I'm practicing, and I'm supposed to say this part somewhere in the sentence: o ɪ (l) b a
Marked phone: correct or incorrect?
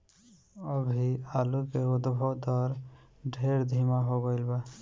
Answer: correct